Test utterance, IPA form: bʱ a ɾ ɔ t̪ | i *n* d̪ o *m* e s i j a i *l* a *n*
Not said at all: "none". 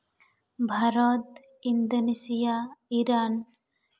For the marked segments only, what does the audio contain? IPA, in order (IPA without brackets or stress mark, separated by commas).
n, n, ɾ, n